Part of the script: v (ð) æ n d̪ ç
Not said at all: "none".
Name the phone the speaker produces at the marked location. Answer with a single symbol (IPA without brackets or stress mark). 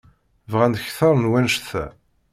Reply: ʁ